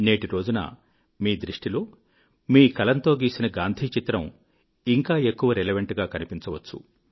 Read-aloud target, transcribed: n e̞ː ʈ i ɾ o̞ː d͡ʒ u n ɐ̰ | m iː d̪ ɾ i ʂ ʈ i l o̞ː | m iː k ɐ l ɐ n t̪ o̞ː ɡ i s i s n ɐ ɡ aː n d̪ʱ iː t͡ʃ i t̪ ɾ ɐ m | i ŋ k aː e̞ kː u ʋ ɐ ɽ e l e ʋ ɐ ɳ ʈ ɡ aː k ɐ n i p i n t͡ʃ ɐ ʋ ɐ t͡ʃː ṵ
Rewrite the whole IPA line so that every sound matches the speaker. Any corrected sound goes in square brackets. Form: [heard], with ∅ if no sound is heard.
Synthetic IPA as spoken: n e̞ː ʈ i ɾ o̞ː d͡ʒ u n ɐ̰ | m iː d̪ ɾ i ʂ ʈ i l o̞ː | m iː k ɐ l ɐ n t̪ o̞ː ɡ [iː] s i [∅] n ɐ ɡ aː n d̪ʱ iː t͡ʃ i t̪ ɾ ɐ m | i ŋ k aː e̞ kː u ʋ ɐ [ɾ] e l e ʋ ɐ ɳ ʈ ɡ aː k ɐ n i p i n t͡ʃ ɐ ʋ ɐ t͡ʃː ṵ

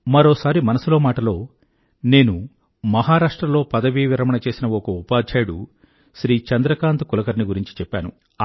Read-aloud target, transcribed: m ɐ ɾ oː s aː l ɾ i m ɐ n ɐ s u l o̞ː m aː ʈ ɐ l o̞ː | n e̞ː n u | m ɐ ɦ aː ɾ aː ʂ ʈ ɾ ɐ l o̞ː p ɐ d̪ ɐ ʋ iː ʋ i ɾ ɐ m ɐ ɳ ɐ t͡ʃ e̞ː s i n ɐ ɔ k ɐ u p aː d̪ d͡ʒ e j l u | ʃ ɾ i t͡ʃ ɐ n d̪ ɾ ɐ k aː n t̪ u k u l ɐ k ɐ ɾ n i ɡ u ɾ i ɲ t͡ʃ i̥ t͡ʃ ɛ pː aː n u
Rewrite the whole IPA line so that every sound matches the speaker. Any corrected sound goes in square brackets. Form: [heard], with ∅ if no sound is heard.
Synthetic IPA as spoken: m ɐ ɾ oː s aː [∅] ɾ i m ɐ n ɐ s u l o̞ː m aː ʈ ɐ l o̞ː | n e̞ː n u | m ɐ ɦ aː ɾ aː ʂ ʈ ɾ ɐ l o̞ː p ɐ d̪ ɐ ʋ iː ʋ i ɾ ɐ m ɐ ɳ ɐ t͡ʃ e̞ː s i n ɐ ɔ k ɐ u p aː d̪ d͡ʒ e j [ɽ] u | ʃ ɾ [iː] t͡ʃ ɐ n d̪ ɾ ɐ k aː n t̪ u k u l ɐ k ɐ ɾ n i ɡ u ɾ i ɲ t͡ʃ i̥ t͡ʃ ɛ pː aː n u

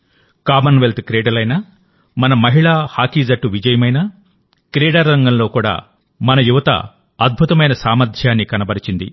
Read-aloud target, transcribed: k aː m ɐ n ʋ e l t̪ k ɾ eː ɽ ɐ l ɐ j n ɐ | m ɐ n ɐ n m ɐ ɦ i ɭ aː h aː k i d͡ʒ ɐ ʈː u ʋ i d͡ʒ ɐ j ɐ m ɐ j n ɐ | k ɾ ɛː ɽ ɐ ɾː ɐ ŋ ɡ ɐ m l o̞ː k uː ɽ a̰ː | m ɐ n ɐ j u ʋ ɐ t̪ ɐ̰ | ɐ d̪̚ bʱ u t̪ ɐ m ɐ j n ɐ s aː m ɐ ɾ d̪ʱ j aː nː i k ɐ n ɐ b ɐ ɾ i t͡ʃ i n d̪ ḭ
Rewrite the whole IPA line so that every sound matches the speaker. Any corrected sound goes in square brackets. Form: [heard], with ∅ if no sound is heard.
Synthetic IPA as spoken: k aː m ɐ n ʋ e l t̪ k ɾ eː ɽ ɐ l ɐ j n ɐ | m ɐ n ɐ [∅] m ɐ ɦ i ɭ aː h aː k i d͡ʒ ɐ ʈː u ʋ i d͡ʒ ɐ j ɐ m ɐ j n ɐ | k ɾ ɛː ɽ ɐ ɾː ɐ ŋ ɡ ɐ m l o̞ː k uː ɽ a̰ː | m ɐ n ɐ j u ʋ ɐ t̪ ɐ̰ | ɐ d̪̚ bʱ u t̪ ɐ m ɐ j n ɐ s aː m ɐ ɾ d̪ʱ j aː nː i k ɐ n ɐ b ɐ ɾ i t͡ʃ i n d̪ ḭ

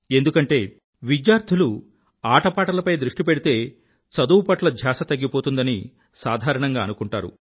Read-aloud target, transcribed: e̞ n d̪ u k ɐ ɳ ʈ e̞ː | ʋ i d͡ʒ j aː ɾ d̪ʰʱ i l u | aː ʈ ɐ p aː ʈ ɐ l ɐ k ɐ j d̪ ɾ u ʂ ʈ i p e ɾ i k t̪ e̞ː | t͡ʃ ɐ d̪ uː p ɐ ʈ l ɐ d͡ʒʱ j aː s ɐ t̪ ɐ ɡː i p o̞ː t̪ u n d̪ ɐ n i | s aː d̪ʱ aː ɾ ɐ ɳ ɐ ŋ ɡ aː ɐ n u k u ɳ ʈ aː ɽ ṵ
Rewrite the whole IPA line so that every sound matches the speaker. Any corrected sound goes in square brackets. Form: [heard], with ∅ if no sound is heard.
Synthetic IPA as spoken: e̞ n d̪ u k ɐ ɳ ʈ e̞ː | ʋ i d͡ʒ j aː ɾ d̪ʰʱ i l u | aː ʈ ɐ p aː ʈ ɐ l ɐ [p] ɐ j d̪ ɾ u ʂ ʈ i p e [ɽ] i [∅] t̪ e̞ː | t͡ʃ ɐ d̪ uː p ɐ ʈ l ɐ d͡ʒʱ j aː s ɐ t̪ ɐ ɡː i p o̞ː t̪ u n d̪ ɐ n i | s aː d̪ʱ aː ɾ ɐ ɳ ɐ ŋ ɡ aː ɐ n u k u ɳ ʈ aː [ɾ] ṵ

